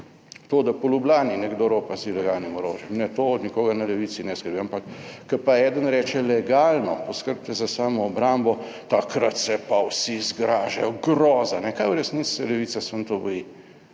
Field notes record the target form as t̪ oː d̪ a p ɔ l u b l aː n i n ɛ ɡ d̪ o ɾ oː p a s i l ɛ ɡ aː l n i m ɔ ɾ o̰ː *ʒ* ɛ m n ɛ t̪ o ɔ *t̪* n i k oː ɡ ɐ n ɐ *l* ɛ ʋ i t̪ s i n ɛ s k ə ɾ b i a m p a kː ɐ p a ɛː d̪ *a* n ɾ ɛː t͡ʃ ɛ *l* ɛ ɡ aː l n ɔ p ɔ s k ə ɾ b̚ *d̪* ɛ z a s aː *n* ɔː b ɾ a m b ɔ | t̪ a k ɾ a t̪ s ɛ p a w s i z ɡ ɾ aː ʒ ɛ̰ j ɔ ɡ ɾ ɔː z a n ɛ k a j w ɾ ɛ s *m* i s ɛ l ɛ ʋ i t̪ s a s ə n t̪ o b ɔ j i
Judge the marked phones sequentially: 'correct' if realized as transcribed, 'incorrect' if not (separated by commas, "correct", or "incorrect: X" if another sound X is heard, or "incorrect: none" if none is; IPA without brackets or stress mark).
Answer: correct, incorrect: d̪, correct, incorrect: ə, correct, incorrect: t̪, incorrect: m, incorrect: n